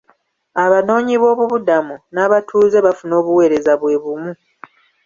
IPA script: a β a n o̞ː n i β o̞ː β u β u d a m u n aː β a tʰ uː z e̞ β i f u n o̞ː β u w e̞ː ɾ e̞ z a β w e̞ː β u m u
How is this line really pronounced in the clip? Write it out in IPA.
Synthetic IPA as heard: a β a n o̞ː ɲ i β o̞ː β u β u d a m u n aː β a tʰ uː z e̞ β a f u n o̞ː β u w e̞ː ɾ e̞ z a β w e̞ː β u m u